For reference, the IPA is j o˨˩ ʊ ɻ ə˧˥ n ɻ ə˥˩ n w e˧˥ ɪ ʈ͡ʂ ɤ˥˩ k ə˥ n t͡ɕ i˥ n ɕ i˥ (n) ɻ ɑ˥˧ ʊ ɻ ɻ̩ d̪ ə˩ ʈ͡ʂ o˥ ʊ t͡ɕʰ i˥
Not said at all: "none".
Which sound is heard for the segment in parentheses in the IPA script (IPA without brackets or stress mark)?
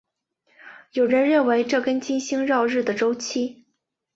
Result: ŋ